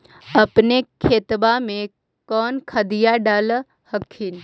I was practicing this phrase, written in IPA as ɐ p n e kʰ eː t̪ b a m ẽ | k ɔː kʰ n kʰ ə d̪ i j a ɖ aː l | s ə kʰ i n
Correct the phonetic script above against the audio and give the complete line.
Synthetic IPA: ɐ p n e kʰ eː t̪ b a m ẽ | k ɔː n kʰ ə d̪ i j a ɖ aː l | h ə kʰ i n